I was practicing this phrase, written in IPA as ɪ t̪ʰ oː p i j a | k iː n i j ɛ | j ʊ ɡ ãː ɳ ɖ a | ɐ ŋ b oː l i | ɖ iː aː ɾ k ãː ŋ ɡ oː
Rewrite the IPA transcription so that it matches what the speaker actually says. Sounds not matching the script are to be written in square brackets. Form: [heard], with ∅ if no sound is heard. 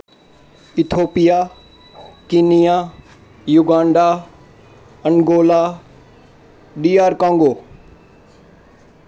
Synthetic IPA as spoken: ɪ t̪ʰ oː p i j a | k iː n i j [a] | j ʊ ɡ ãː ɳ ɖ a | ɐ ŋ [ɡ] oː l [a] | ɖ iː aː ɾ k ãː ŋ ɡ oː